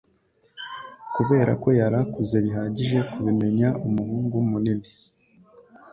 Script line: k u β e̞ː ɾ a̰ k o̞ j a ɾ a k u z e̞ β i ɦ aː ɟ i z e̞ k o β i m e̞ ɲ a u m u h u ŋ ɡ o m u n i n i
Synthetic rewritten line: k u β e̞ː ɾ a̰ k o̞ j a ɾ a k u z e̞ β i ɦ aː ɟ i ʒ e̞ k u β i m e̞ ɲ a u m u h uː ŋ ɡ u m u n i n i